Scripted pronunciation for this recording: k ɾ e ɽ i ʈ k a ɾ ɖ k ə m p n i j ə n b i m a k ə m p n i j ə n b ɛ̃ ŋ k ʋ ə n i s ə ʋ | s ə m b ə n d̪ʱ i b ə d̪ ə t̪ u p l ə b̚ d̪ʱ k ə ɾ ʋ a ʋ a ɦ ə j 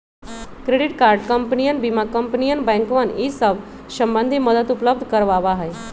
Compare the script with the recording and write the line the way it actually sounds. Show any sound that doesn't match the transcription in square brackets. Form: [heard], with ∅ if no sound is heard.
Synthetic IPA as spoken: k ɾ e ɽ i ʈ k a ɾ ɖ k ə m p n i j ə n b i m a k ə m p n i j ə n b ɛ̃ ŋ k ʋ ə n i s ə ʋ | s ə m b ə n d̪ʱ i [m] ə d̪ ə t̪ u p l ə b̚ d̪ʱ k ə ɾ ʋ a ʋ a ɦ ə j

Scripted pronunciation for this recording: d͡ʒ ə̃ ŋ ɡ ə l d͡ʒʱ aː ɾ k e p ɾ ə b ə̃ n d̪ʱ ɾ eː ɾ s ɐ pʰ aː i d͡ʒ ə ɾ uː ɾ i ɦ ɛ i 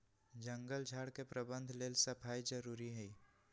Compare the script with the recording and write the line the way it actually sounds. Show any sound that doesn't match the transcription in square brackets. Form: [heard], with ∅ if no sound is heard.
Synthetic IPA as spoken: d͡ʒ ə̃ ŋ ɡ ə l d͡ʒʱ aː [ɽ] k e p ɾ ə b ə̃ n d̪ʱ [l] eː [l] s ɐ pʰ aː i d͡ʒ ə ɾ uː ɾ i ɦ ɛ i

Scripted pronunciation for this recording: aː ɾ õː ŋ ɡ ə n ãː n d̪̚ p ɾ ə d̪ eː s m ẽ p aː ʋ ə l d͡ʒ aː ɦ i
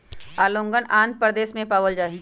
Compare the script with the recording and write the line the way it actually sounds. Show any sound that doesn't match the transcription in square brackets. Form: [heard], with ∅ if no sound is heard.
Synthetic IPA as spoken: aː [l] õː ŋ ɡ ə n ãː n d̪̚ p ɾ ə d̪ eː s m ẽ p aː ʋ ə l d͡ʒ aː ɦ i

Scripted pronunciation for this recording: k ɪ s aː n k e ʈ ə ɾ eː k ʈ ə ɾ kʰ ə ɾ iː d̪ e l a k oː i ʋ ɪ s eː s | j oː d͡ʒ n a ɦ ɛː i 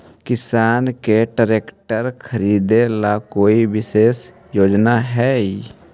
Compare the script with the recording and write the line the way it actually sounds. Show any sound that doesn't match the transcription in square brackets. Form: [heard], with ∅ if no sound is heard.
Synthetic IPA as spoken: k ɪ s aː n k e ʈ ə ɾ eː k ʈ ə ɾ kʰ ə ɾ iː d̪ e l a k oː i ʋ ɪ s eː s | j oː d͡ʒ n a ɦ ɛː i

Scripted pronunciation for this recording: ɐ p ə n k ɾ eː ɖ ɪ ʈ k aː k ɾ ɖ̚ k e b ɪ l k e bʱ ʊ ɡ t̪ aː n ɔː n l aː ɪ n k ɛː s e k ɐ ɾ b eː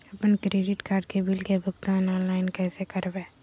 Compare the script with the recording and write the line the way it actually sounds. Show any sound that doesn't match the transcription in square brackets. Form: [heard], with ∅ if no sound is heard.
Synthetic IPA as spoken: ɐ p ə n k ɾ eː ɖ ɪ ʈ k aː [∅] ɾ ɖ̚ k e b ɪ l k e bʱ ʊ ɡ t̪ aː n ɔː n l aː ɪ n k ɛː s e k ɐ ɾ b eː

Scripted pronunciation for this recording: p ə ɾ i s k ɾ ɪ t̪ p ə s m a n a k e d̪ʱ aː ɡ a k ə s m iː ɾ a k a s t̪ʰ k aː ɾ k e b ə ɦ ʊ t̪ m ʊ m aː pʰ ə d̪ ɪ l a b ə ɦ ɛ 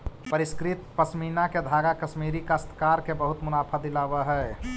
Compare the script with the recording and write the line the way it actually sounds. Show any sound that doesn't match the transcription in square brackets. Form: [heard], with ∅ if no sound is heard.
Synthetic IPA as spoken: p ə ɾ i s k ɾ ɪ t̪ p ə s m [i] n a k e d̪ʱ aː ɡ a k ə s m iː ɾ [i] k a s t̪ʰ k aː ɾ k e b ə ɦ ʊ t̪ m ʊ [n] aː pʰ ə d̪ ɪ l a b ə ɦ ɛ

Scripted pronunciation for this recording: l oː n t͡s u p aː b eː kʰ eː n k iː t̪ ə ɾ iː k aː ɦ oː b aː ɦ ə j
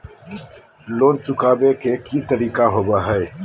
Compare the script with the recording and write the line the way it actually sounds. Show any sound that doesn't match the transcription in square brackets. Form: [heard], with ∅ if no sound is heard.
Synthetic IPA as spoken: l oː n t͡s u [k] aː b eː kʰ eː [∅] k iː t̪ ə ɾ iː k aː ɦ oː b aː ɦ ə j

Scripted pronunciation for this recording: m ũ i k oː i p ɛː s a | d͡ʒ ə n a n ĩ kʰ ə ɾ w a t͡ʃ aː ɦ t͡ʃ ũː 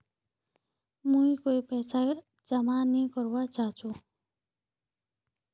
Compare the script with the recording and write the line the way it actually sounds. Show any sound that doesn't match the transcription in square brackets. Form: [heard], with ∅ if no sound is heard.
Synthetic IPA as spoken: m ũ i k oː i p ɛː s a | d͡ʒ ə [m] a n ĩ [k] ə ɾ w a t͡ʃ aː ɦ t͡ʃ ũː

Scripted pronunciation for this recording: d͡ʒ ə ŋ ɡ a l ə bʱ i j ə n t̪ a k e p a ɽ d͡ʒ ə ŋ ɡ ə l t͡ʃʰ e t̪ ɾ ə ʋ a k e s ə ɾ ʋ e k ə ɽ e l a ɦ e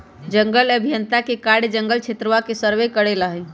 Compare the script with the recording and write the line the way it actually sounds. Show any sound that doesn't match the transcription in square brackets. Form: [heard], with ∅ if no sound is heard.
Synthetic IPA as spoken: d͡ʒ ə ŋ ɡ [ə] l ə bʱ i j ə n t̪ a k e [k] a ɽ d͡ʒ ə ŋ ɡ ə l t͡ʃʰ e t̪ ɾ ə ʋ a k e s ə ɾ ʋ e k ə ɽ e l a ɦ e

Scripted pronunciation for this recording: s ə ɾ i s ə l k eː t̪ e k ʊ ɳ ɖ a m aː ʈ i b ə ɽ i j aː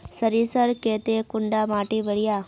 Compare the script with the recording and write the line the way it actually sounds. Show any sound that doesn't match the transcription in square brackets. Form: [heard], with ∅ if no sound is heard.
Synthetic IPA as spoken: s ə ɾ i s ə [ɾ] k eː t̪ e k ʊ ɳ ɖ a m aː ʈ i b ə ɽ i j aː

